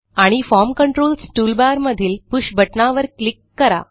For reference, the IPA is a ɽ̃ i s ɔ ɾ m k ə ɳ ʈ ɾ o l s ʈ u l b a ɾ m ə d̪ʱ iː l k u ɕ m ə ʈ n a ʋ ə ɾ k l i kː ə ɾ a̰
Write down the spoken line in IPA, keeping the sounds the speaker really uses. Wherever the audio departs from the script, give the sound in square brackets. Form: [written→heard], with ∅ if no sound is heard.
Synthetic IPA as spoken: a ɽ̃ i [s→f] ɔ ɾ m k ə ɳ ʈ ɾ o l s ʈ u l b a ɾ m ə d̪ʱ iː l [k→p] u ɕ [m→b] ə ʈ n a ʋ ə ɾ k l i kː ə ɾ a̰